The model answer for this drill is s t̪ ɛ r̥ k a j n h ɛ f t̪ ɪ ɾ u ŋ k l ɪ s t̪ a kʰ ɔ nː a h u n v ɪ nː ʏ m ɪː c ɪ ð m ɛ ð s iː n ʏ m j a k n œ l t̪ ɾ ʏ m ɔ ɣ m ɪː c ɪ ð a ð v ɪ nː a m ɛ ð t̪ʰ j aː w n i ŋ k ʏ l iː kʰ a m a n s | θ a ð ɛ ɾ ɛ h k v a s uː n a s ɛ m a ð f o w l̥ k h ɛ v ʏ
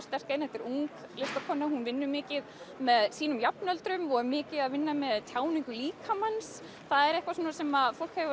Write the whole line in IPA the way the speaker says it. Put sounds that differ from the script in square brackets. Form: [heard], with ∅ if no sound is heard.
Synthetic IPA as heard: s t̪ ɛ r̥ k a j n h ɛ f t̪ ɪ ɾ u ŋ k l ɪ s t̪ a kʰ ɔ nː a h u n v ɪ nː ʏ m ɪː c ɪ ð m ɛ ð s iː n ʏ m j a [p] n œ l t̪ ɾ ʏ m ɔ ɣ m ɪː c ɪ ð a ð v ɪ nː a m ɛ ð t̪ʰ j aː w n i ŋ k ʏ l iː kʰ a m a n s | θ a ð ɛ ɾ ɛ h k v a s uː n a s ɛ m a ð f o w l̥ k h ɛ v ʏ